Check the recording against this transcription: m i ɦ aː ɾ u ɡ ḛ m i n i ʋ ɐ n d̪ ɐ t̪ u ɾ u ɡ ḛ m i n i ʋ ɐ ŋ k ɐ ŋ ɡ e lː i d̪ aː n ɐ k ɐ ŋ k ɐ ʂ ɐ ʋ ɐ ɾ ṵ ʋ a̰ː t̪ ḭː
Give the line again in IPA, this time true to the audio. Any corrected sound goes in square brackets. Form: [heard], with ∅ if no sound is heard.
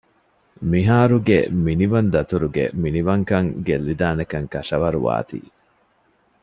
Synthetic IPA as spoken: m i ɦ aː ɾ u ɡ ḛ m i n i ʋ ɐ n d̪ ɐ t̪ u ɾ u ɡ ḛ m i n i ʋ ɐ ŋ k ɐ ŋ ɡ e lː i d̪ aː n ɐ k ɐ ŋ k ɐ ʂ ɐ ʋ ɐ ɾ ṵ ʋ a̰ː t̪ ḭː